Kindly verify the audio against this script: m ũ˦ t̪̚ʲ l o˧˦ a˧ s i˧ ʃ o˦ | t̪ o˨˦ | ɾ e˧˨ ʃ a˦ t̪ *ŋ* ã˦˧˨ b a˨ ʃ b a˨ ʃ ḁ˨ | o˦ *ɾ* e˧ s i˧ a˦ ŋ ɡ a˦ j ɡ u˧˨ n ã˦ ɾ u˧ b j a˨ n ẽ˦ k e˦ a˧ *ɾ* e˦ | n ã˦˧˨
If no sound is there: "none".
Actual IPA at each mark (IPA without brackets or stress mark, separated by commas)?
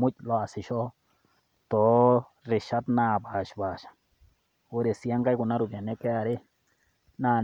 n, ɾ, ɾ